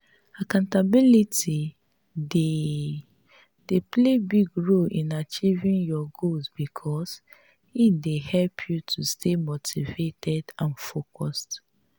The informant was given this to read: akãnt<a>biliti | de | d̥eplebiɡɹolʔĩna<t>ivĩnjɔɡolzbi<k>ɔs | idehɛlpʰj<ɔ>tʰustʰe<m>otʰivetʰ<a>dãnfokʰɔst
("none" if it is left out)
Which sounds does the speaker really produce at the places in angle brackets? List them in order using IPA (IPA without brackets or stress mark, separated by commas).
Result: a, t͡ʃ, kʰ, u, m, ɛ